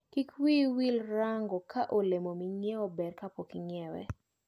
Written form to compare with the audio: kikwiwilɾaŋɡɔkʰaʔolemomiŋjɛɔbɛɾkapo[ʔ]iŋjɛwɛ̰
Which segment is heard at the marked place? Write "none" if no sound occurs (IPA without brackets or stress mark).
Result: k